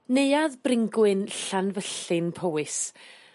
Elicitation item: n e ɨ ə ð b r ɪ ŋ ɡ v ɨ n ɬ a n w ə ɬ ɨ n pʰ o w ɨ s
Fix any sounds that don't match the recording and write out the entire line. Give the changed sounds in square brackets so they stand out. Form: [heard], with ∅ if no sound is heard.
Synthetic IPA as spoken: n e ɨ [a] ð b r ɪ ŋ ɡ [w] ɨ n ɬ a n [v] ə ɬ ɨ n pʰ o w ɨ s